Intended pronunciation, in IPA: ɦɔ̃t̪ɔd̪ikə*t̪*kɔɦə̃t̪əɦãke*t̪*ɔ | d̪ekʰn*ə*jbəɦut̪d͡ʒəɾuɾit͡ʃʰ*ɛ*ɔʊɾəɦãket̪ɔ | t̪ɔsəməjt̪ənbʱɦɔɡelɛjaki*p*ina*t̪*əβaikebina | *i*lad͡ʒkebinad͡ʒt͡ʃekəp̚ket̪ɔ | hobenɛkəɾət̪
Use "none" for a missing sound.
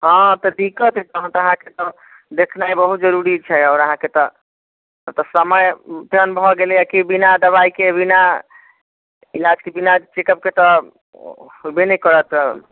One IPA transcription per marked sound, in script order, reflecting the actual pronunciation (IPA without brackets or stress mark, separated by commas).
t̪, t̪, a, ɛ, b, d̪, i